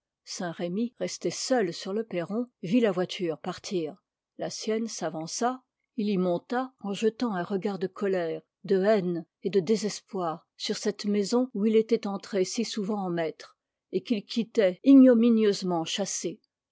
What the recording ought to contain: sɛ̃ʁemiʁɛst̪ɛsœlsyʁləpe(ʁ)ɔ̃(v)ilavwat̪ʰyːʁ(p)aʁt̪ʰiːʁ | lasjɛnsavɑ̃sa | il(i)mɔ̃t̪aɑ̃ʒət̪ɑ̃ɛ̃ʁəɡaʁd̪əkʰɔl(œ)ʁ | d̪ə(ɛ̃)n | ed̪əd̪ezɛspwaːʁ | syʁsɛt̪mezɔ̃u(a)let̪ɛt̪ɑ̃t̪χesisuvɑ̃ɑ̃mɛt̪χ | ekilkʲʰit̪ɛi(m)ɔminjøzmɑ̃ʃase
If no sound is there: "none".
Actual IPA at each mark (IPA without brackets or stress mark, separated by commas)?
ʁ, v, p, i, ɛ, ɛ, i, ɲ